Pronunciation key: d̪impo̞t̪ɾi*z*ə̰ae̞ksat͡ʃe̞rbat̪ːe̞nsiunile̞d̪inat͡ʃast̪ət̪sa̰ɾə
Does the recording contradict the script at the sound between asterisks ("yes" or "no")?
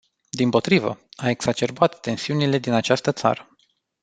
yes